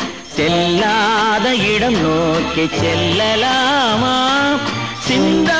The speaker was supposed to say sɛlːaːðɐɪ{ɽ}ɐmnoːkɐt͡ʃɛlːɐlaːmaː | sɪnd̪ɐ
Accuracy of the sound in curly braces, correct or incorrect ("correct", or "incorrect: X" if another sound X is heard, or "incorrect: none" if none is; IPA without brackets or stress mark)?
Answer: correct